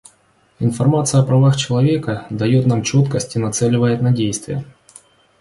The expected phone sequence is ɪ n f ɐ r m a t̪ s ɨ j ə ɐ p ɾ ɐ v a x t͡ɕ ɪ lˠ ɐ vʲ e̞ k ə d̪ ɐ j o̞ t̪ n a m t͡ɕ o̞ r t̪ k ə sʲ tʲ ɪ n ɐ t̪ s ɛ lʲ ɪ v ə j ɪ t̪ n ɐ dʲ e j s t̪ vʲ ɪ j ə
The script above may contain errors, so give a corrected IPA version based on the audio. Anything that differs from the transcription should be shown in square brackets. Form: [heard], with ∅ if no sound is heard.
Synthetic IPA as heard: ɪ n f ɐ r m a t̪ s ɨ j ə ɐ p ɾ ɐ v a x t͡ɕ ɪ lˠ ɐ vʲ e̞ k ə d̪ ɐ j o̞ t̪ n a m t͡ɕ o̞ [∅] t̪ k ə sʲ tʲ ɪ n ɐ t̪ s ɛ lʲ ɪ v ə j ɪ t̪ n ɐ dʲ e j s t̪ vʲ ɪ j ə